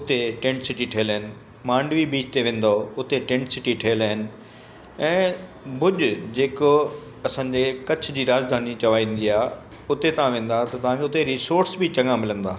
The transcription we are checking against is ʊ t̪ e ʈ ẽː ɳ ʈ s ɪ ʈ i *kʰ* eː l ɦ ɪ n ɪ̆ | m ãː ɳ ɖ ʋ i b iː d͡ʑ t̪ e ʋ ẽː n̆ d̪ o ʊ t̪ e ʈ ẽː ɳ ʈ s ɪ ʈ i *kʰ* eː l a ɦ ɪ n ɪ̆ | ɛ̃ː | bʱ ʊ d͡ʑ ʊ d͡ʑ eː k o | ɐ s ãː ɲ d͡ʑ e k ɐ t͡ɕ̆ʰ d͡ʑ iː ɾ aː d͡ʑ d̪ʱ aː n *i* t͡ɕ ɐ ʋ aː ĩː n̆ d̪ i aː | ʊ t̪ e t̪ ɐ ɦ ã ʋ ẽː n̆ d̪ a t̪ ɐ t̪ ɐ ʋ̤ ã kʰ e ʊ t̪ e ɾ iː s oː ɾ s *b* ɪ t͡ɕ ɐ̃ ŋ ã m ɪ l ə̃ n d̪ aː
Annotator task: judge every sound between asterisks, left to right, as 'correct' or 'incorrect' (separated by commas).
incorrect, incorrect, correct, correct